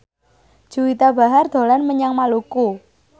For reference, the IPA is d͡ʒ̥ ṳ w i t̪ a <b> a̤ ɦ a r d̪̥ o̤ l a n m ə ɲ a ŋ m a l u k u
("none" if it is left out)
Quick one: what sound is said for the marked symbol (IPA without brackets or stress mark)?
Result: b